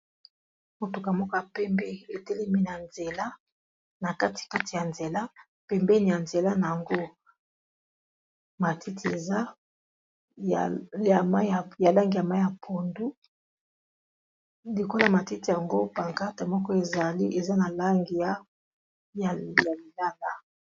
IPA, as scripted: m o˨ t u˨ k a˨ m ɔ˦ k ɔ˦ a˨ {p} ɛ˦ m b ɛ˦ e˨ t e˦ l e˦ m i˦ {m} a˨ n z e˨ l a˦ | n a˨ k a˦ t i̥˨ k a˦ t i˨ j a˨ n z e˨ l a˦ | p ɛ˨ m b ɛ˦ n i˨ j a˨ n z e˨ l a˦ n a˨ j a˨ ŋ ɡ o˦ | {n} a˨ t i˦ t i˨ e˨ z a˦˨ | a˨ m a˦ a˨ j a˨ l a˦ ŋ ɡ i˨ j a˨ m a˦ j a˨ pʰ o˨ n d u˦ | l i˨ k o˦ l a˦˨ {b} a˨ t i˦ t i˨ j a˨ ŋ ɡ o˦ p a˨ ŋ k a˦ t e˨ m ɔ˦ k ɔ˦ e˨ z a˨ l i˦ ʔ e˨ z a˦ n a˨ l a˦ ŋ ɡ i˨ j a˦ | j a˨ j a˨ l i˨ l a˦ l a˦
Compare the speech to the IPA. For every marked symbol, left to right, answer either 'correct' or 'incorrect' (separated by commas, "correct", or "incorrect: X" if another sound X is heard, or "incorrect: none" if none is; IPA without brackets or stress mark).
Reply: correct, incorrect: n, incorrect: m, incorrect: m